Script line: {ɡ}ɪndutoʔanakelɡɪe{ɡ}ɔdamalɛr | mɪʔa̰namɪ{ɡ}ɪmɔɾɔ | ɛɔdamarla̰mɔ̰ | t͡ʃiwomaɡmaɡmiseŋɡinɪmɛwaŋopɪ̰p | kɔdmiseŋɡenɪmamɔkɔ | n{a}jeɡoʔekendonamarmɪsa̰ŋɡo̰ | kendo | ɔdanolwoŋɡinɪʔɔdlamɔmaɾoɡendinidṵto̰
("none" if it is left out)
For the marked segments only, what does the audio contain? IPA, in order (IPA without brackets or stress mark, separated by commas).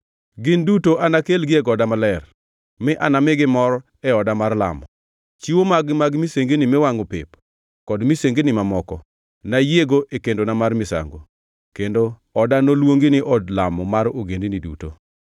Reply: ɡ, ɡ, ɡ, a